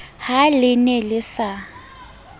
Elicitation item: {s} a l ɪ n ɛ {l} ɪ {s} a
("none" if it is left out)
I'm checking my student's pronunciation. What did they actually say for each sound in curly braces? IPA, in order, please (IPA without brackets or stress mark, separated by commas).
h, l, s